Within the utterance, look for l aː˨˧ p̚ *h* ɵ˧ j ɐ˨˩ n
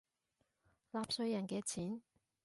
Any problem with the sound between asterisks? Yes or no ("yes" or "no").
yes